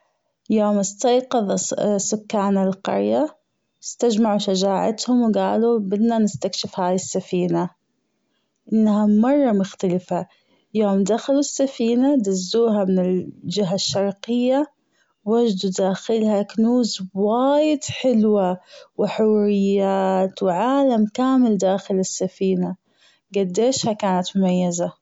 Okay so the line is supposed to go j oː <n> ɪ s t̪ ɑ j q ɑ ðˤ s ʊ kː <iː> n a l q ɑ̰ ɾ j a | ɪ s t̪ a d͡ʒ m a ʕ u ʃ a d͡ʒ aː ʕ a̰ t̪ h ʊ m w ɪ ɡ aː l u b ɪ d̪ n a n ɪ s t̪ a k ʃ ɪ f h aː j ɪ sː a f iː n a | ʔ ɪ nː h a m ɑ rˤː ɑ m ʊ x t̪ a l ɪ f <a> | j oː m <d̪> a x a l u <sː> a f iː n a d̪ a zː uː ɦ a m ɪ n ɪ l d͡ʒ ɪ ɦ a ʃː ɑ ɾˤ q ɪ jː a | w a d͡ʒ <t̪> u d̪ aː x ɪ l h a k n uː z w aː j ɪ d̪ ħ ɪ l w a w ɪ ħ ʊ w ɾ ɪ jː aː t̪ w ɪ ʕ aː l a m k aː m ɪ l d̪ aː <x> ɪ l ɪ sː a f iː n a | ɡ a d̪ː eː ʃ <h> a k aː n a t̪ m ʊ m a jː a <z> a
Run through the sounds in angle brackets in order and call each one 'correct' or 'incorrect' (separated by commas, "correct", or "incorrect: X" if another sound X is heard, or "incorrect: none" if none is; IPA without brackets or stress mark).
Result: incorrect: m, incorrect: aː, correct, correct, correct, incorrect: d̪, correct, correct, correct